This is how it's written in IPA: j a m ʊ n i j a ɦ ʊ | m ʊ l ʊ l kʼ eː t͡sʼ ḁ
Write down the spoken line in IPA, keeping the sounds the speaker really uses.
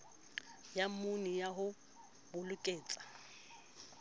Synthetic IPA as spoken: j a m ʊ n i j a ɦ ʊ | b ʊ l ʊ kʼ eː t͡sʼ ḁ